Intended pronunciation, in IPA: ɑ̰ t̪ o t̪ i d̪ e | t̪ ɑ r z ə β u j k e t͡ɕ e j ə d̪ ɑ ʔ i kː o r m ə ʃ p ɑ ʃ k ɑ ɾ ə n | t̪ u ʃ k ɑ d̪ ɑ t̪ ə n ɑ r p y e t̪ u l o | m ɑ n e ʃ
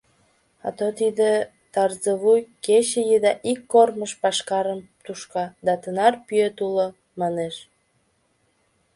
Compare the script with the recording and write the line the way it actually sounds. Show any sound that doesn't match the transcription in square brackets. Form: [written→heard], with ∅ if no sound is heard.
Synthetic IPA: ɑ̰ t̪ o t̪ i d̪ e | t̪ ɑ r z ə β u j k e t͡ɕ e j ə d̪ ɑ ʔ i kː o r m ə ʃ p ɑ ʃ k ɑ ɾ ə [n→m] | t̪ u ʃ k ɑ d̪ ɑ t̪ ə n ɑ r p y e t̪ u l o | m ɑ n e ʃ